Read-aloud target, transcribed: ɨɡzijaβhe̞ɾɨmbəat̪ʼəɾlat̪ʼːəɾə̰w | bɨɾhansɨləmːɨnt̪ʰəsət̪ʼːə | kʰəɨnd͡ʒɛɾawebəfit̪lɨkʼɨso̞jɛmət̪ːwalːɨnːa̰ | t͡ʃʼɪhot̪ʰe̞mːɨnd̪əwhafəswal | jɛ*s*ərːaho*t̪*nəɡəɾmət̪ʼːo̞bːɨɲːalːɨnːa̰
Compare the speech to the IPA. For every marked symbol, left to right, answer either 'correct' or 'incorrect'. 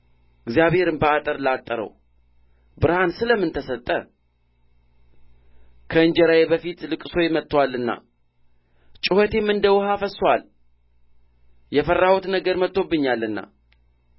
incorrect: f, correct

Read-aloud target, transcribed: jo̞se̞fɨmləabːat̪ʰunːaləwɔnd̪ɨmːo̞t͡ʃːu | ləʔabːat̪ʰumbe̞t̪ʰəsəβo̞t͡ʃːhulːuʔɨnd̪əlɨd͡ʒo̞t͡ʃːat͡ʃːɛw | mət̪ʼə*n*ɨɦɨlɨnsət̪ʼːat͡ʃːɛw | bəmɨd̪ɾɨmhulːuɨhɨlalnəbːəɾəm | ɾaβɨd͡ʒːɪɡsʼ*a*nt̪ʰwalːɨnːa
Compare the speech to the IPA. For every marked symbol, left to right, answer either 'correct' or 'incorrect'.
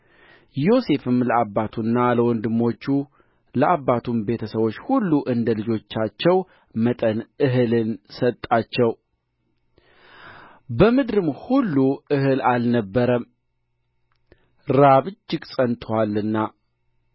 correct, incorrect: ə

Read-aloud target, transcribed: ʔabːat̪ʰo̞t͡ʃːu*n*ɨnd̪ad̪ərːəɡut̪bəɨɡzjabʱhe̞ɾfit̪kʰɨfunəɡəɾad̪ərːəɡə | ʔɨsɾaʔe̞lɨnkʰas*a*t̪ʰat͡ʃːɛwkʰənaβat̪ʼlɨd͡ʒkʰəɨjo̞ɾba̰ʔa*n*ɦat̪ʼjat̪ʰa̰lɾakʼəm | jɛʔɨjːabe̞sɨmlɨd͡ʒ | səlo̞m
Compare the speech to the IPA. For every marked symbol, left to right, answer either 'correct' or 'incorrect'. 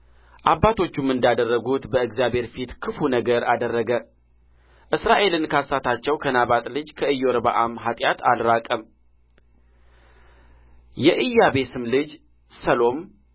incorrect: m, correct, incorrect: m

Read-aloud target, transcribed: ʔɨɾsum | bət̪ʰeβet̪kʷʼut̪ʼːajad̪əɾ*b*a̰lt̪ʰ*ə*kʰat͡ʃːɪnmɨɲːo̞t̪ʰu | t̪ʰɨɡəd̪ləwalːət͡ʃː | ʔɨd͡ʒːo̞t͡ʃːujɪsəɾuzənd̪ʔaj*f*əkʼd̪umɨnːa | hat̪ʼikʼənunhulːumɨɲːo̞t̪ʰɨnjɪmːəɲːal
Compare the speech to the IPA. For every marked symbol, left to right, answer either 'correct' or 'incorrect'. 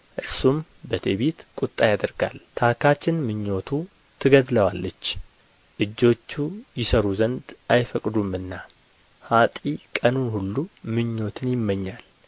incorrect: ɡ, incorrect: a, correct

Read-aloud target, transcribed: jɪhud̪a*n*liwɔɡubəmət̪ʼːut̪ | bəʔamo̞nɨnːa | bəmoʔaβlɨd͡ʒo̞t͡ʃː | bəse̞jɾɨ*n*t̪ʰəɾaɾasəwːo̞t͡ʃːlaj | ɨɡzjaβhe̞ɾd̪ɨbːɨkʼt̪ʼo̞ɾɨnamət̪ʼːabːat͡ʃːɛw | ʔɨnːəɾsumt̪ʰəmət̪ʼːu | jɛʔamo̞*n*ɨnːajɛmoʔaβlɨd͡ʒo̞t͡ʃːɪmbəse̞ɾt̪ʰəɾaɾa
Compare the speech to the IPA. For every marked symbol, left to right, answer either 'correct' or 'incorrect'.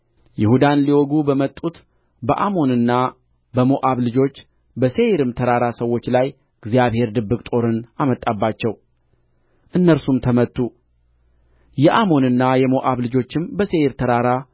correct, incorrect: m, correct

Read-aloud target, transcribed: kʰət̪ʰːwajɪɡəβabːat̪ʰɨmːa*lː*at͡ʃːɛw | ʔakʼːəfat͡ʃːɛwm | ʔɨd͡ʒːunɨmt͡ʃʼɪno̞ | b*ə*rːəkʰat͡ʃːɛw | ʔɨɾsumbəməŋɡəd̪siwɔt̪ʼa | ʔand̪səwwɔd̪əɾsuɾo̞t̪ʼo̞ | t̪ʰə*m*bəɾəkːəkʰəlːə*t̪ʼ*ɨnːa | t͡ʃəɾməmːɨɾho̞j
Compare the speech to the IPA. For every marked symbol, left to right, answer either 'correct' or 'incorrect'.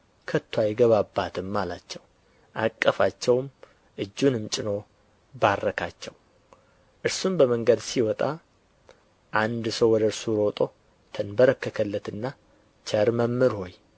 incorrect: l, incorrect: a, incorrect: n, incorrect: t̪

